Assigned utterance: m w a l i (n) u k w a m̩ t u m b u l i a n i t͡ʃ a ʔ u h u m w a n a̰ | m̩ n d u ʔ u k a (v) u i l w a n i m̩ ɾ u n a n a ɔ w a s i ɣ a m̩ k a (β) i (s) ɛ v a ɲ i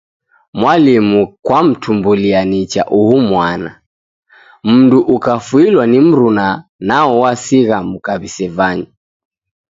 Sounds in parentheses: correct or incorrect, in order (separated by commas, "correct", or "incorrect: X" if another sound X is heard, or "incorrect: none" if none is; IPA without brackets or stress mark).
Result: incorrect: m, incorrect: f, correct, correct